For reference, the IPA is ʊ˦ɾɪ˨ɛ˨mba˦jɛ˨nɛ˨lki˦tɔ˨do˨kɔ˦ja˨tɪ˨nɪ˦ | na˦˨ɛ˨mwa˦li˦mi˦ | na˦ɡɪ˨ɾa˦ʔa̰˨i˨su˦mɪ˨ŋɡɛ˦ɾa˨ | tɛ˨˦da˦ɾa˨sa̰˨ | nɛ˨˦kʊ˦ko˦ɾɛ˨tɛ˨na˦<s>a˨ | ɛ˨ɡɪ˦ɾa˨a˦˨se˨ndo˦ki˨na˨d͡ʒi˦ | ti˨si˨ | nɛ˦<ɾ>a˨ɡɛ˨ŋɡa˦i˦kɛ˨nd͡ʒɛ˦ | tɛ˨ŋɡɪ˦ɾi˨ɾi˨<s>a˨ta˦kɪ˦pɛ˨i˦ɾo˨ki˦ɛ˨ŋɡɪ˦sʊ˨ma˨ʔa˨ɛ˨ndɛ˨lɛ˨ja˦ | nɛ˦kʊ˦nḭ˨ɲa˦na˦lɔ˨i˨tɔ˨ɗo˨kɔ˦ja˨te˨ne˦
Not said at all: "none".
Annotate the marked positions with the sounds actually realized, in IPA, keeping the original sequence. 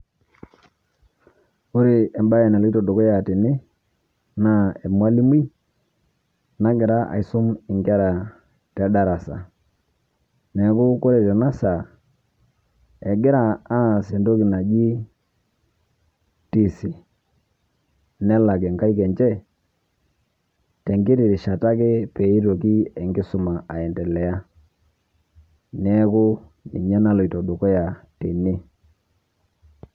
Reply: s, l, ʃ

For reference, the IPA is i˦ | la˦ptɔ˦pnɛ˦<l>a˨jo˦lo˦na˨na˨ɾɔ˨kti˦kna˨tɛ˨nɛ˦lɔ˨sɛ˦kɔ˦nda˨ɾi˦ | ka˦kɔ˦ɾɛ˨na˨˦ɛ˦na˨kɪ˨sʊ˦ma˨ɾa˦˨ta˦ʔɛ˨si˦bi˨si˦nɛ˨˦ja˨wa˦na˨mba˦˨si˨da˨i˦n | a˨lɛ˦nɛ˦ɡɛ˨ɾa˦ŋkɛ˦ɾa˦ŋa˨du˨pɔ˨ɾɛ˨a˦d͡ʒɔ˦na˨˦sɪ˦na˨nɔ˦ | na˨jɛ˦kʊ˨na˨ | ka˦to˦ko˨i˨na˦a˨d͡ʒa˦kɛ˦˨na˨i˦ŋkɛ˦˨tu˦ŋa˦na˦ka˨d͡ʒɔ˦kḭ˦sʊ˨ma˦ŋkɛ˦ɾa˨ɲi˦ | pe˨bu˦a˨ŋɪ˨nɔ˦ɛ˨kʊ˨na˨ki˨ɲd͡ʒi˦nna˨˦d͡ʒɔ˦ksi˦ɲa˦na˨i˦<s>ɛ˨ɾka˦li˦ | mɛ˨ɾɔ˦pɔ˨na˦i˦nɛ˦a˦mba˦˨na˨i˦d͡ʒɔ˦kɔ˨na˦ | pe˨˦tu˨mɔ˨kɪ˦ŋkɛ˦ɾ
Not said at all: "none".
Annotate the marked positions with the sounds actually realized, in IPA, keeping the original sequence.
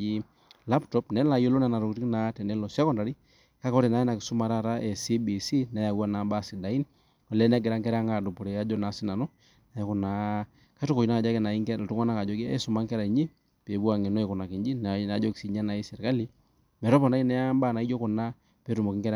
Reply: l, s

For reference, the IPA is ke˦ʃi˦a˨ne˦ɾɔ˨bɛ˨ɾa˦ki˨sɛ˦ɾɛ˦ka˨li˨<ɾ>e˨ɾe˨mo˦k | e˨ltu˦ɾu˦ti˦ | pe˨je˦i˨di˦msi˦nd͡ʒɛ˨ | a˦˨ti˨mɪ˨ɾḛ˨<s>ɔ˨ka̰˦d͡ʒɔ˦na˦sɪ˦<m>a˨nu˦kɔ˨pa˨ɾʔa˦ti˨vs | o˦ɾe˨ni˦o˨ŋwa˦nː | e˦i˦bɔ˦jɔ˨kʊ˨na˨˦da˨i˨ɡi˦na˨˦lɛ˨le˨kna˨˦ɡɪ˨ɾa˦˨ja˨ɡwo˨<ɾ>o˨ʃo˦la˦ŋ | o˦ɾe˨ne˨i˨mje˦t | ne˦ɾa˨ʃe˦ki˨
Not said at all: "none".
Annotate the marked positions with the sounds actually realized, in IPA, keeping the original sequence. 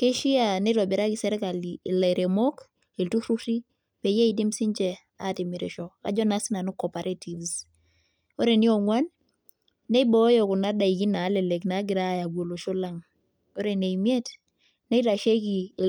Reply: l, ʃ, n, l

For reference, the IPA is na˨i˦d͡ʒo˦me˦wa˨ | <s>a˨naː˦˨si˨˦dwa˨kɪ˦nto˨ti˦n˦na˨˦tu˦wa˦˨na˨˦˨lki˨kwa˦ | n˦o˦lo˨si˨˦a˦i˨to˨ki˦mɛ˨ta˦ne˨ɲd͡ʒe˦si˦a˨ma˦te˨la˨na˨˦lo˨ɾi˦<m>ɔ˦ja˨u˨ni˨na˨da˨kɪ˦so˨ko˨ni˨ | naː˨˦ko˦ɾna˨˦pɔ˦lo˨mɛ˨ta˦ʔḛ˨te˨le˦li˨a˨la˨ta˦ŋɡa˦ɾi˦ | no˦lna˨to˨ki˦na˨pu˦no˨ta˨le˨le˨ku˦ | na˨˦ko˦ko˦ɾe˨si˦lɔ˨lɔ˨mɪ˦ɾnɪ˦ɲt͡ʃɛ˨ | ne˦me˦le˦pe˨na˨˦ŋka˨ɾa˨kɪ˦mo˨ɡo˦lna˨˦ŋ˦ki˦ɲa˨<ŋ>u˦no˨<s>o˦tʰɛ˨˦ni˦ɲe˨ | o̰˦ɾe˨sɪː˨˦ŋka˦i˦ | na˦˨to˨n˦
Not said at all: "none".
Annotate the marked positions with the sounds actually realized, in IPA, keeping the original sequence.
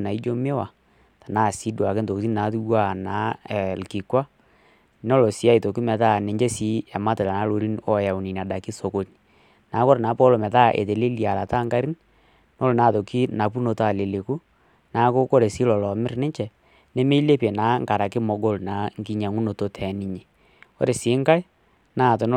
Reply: t, n, ŋ, t

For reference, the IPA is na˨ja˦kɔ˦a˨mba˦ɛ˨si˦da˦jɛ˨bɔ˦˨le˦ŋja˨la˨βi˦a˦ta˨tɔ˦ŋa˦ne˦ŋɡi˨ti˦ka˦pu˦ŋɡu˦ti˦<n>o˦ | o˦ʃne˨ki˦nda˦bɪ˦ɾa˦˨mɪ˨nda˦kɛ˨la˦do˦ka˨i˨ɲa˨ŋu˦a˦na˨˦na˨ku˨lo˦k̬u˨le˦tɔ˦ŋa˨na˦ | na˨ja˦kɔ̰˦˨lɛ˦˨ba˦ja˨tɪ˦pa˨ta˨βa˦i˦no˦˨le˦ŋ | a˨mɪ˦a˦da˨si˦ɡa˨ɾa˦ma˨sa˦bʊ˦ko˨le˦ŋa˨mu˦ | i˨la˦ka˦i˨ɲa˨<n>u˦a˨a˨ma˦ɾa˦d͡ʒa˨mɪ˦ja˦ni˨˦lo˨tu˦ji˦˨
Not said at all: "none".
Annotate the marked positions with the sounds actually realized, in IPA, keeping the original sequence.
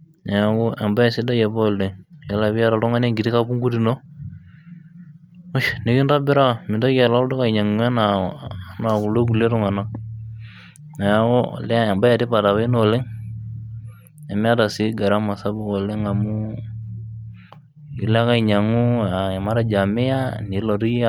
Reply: n, ŋ

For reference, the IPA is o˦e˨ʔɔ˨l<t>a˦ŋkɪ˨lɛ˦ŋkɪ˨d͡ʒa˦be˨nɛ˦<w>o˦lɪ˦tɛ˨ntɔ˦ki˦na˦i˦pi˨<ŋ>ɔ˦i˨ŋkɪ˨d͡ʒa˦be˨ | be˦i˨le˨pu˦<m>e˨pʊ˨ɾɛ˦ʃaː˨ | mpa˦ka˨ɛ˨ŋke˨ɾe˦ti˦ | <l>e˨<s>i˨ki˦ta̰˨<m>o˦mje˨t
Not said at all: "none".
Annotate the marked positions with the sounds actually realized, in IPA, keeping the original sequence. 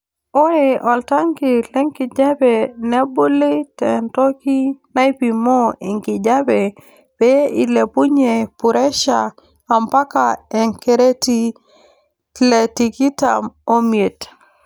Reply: t, b, m, ɲ, l, t, m

